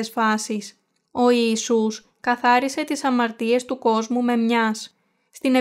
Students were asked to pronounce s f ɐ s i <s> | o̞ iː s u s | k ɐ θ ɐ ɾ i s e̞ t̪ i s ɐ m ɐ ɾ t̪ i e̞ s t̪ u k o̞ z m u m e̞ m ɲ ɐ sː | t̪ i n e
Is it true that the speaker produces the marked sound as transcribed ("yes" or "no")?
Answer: yes